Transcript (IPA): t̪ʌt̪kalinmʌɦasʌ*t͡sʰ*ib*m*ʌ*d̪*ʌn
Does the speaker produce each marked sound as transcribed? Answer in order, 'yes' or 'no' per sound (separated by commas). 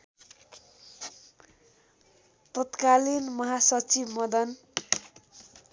no, yes, yes